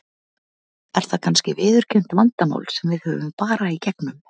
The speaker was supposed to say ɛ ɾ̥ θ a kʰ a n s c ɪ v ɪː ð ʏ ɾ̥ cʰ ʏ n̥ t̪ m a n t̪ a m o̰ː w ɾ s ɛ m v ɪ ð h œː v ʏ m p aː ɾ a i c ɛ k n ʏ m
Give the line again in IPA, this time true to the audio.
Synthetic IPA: ɛ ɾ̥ θ a kʰ a n s c ɪ v ɪː ð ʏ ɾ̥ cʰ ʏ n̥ t̪ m a n t̪ a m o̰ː w l s ɛ m v ɪ ð h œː v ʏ m p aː ɾ a i c ɛ k n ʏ m